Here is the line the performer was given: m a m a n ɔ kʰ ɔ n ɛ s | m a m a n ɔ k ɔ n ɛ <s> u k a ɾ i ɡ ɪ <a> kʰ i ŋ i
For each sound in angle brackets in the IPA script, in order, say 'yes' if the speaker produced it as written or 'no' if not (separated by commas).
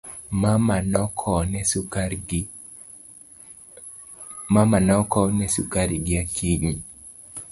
yes, yes